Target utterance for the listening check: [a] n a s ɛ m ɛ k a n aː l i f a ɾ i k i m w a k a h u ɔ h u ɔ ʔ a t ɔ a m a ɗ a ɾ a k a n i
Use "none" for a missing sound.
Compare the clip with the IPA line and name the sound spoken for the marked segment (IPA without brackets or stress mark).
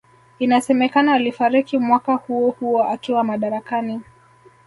i